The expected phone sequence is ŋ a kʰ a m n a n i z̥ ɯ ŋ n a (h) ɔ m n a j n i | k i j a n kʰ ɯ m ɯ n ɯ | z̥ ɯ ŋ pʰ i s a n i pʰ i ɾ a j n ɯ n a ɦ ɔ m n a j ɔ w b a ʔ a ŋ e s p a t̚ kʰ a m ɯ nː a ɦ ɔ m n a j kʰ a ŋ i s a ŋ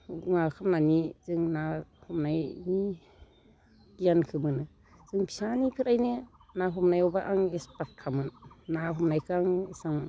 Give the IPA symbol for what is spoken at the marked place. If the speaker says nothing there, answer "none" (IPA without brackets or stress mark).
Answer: h